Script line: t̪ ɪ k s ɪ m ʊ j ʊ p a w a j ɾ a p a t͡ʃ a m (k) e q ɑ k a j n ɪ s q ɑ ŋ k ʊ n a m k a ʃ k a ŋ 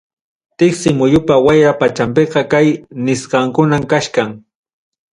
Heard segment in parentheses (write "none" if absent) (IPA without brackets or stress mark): p